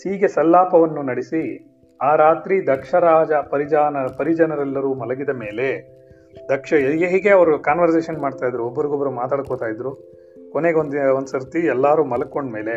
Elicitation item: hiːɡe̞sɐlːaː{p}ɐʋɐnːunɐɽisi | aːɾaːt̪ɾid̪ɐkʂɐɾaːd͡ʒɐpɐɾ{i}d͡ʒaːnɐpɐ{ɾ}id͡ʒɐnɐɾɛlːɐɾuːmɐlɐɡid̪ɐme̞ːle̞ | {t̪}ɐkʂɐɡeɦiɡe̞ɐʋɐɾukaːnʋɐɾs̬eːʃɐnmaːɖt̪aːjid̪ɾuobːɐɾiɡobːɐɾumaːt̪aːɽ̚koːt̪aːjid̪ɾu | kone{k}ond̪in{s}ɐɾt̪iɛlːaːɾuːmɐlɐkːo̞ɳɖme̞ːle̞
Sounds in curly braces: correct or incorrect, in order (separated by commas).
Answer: correct, correct, correct, incorrect, incorrect, correct